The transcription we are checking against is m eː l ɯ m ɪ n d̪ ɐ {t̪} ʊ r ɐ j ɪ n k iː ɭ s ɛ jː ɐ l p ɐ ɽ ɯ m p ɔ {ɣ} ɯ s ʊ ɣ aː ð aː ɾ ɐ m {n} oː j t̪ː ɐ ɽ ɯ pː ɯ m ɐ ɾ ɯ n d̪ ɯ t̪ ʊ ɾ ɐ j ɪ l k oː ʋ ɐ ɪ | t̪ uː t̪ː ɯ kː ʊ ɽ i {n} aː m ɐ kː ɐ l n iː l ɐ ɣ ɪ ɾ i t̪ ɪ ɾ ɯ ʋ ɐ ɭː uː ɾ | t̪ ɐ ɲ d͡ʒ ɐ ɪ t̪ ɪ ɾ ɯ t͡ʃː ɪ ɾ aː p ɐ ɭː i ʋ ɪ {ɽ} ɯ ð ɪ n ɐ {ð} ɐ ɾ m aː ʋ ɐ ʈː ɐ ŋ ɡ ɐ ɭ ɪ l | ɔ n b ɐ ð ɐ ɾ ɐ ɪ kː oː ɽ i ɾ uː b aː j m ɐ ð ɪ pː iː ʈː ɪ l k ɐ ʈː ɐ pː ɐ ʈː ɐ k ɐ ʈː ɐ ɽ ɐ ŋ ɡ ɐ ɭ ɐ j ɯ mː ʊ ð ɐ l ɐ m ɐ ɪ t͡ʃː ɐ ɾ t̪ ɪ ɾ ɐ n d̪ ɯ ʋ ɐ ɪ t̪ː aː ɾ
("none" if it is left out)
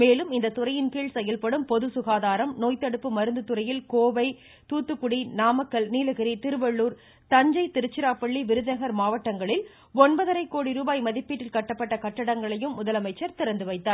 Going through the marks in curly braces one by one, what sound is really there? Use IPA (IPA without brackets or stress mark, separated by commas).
t̪, ð, n, n, ɾ, ɣ